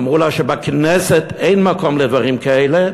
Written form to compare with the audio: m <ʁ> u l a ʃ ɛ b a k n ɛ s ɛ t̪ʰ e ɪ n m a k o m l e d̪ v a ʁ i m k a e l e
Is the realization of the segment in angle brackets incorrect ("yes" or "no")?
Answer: no